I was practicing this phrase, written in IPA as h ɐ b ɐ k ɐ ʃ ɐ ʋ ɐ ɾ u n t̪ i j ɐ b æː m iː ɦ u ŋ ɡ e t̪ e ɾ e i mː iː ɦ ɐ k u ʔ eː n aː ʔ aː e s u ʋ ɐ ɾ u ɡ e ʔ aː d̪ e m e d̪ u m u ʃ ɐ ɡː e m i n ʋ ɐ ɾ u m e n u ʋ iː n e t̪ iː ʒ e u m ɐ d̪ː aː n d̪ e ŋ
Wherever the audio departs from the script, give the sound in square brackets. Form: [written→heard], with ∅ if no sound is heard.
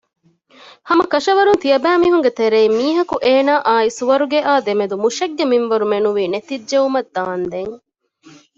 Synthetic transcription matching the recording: h ɐ [b→m] ɐ k ɐ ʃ ɐ ʋ ɐ ɾ u n t̪ i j ɐ b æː m iː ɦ u ŋ ɡ e t̪ e ɾ e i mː iː ɦ ɐ k u ʔ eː n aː ʔ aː [e→i] s u ʋ ɐ ɾ u ɡ e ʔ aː d̪ e m e d̪ u m u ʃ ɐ ɡː e m i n ʋ ɐ ɾ u m e n u ʋ iː n e t̪ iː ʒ e u m ɐ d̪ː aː n d̪ e ŋ